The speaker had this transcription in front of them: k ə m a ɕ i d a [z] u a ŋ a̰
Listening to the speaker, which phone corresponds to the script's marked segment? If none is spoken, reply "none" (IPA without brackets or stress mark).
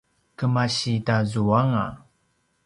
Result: z